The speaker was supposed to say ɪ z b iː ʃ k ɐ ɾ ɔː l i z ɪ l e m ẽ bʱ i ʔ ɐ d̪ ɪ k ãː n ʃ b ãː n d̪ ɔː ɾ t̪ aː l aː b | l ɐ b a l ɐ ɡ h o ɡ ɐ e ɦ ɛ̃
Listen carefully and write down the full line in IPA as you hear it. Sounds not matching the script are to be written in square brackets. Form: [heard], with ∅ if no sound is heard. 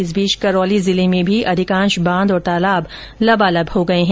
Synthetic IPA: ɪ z b iː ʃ k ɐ ɾ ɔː l i z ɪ l e m ẽ bʱ i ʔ ɐ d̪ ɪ k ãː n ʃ b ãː n d̪ ɔː ɾ t̪ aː l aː b | l ɐ b a l ɐ [b] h o ɡ ɐ e ɦ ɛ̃